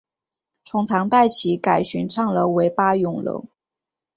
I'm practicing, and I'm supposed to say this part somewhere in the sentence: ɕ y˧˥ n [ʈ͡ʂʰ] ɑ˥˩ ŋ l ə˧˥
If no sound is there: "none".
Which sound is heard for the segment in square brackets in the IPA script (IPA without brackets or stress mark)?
ʈ͡ʂʰ